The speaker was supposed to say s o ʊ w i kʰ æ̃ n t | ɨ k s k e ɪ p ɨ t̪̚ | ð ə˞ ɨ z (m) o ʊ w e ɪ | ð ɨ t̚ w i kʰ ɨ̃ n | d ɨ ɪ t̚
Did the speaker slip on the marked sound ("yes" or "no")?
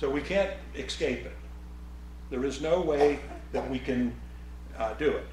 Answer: yes